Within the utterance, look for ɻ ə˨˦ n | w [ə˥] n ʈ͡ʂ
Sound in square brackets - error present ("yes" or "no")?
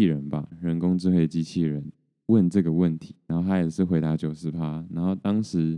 yes